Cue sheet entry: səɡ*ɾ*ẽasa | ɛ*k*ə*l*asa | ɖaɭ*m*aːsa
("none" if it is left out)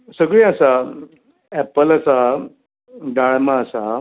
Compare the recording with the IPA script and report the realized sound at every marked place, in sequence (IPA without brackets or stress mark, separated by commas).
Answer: ɭ, p, l, m